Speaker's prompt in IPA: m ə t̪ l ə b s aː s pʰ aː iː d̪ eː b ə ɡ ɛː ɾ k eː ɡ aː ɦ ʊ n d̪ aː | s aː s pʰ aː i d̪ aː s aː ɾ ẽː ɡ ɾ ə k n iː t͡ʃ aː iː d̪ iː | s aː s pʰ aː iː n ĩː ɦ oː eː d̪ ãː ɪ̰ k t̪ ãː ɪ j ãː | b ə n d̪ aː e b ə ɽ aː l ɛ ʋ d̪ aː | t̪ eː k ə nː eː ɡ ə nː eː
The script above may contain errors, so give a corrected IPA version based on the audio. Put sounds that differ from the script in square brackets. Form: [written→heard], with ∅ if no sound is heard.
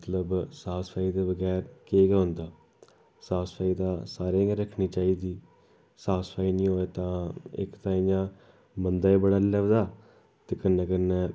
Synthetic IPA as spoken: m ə t̪ l ə b s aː s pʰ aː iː d̪ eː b ə ɡ ɛː ɾ k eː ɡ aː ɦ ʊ n d̪ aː | s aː s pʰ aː i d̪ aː s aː ɾ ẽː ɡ ɾ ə [k→kʰ] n iː t͡ʃ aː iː d̪ iː | s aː s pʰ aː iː n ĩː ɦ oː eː [d̪→t̪] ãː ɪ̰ k t̪ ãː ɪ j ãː | b ə n d̪ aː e b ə ɽ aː l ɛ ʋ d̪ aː | t̪ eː k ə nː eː [ɡ→k] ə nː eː